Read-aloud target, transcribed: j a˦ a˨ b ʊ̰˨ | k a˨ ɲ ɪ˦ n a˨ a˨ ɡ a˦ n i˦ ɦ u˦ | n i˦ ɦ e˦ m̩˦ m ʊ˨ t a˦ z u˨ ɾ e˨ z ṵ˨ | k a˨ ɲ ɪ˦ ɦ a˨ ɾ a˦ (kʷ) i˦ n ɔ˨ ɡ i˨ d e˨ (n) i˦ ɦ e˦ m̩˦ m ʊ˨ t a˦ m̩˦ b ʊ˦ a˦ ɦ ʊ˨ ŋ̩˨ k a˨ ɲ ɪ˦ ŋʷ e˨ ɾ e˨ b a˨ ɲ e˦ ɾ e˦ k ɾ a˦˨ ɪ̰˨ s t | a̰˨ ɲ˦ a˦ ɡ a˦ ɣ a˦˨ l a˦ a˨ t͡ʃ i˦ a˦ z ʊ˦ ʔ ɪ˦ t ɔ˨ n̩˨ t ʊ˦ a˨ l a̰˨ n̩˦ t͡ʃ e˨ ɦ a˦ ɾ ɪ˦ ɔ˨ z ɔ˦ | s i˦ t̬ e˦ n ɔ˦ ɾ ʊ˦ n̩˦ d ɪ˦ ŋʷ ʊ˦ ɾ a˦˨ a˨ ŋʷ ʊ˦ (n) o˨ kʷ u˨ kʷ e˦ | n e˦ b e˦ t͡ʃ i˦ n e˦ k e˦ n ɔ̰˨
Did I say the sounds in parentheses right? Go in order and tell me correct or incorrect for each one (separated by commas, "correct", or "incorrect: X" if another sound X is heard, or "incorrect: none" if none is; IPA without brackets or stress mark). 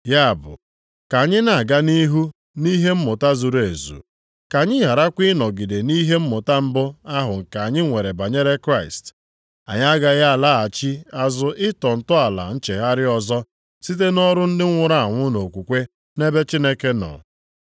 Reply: correct, correct, correct